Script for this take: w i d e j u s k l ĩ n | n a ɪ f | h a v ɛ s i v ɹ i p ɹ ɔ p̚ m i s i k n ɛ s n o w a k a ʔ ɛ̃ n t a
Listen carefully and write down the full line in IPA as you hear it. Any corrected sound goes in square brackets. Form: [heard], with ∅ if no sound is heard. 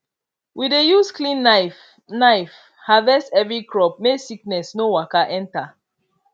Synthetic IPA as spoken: w i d e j u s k l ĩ n | n a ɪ f | h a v ɛ s [ɛ] v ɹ i [k] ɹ ɔ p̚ m [e] s i k n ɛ s n o w a k a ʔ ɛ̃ n t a